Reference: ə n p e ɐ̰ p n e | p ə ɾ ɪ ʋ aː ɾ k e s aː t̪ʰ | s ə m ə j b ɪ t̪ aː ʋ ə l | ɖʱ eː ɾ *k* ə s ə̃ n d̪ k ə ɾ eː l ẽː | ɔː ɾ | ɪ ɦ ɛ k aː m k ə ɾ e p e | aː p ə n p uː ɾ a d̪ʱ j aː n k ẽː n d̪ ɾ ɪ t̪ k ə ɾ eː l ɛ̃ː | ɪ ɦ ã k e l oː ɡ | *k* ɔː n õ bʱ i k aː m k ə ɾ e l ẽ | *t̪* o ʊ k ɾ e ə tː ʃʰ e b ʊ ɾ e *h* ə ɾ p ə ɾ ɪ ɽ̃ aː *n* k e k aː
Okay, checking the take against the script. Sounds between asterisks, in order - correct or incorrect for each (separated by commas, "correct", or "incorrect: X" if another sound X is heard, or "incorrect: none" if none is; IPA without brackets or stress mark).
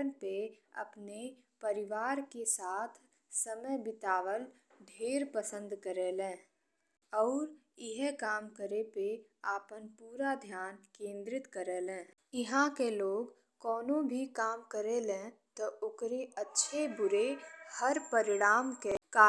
incorrect: p, correct, correct, correct, incorrect: m